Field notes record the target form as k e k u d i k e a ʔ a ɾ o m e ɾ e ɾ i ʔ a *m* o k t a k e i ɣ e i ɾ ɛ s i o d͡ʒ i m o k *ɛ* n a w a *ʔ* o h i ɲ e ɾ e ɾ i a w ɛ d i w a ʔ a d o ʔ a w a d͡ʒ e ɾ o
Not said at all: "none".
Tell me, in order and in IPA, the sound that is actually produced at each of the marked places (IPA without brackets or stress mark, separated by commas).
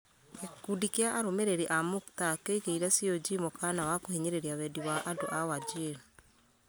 m, a, k